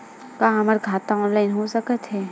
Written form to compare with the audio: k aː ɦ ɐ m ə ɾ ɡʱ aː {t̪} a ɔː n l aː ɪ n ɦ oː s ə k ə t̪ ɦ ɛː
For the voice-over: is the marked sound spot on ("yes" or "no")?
yes